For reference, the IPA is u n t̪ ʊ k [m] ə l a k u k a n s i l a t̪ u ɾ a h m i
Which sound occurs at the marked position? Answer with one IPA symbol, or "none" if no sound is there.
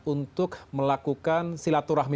m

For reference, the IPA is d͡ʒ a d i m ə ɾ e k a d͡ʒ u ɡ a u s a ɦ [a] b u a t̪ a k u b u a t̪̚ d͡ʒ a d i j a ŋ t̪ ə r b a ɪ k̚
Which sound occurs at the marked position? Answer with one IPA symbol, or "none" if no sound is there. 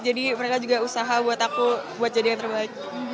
a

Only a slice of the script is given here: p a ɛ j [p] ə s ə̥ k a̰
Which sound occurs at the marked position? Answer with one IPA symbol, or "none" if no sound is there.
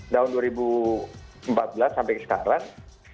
k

